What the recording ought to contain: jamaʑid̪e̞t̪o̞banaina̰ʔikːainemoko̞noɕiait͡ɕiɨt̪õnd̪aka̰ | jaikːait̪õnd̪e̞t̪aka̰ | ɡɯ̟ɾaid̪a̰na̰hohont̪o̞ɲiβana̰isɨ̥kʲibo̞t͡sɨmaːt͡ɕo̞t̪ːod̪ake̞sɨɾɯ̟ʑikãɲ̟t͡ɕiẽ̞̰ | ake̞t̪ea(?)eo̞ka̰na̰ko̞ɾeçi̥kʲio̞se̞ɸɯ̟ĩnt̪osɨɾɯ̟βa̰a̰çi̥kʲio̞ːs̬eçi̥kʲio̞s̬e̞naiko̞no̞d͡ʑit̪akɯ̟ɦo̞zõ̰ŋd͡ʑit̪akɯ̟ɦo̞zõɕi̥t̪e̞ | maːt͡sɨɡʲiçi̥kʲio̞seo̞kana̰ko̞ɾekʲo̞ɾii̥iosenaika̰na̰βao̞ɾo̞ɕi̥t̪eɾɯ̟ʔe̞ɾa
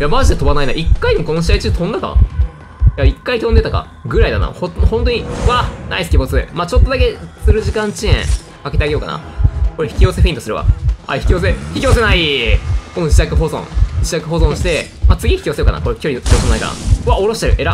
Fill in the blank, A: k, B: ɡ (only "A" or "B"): B